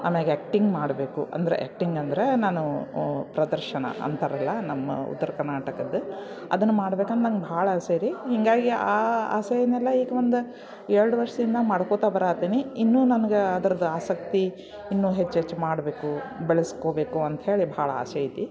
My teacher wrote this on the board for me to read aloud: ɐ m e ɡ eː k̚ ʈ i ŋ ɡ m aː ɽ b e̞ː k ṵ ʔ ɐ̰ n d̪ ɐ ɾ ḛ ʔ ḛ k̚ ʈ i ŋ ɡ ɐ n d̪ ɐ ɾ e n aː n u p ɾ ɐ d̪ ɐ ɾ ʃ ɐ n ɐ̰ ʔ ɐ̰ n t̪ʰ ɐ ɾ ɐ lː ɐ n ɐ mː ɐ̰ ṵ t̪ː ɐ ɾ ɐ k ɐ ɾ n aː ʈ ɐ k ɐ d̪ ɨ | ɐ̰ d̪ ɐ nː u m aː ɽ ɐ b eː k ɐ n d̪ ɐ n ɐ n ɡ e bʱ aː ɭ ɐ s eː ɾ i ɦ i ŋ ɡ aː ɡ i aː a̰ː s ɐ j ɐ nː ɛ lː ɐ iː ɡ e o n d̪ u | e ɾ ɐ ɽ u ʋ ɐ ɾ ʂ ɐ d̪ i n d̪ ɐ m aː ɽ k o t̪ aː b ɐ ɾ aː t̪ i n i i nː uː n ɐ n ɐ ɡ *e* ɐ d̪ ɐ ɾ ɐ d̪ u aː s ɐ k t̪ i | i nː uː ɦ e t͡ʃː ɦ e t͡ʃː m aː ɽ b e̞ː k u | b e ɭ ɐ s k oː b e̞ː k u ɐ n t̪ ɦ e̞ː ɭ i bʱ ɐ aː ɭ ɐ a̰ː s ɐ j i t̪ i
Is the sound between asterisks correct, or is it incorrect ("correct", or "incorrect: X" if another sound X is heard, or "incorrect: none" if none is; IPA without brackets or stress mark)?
correct